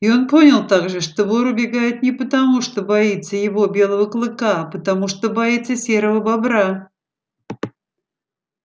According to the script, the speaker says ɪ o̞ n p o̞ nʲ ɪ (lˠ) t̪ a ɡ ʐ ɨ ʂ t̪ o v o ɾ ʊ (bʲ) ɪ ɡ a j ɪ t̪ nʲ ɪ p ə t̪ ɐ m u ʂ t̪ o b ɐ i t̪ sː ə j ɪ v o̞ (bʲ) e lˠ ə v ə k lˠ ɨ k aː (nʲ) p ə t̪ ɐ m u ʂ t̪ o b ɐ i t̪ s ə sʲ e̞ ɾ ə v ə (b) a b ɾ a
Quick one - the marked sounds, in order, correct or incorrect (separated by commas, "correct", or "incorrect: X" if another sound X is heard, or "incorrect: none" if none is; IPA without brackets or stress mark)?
correct, correct, correct, incorrect: none, correct